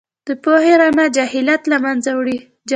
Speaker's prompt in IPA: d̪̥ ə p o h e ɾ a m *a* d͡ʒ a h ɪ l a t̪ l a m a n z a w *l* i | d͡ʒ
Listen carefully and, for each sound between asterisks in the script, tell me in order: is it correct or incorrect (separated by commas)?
correct, incorrect